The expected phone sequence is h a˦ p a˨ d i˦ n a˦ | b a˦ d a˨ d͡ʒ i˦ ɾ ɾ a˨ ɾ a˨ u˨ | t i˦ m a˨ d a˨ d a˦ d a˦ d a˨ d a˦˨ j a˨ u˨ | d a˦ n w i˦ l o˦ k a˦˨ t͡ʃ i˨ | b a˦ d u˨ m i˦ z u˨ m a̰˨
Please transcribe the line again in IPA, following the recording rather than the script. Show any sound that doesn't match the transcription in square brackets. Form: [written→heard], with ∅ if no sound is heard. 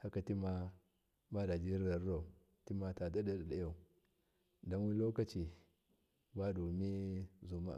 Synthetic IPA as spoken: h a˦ [p→k] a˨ [d→t] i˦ [n→m] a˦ | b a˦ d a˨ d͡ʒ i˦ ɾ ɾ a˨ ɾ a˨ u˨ | t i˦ m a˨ [d→t] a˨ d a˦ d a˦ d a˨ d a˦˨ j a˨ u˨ | d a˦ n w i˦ l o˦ k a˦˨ t͡ʃ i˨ | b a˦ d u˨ m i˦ z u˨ m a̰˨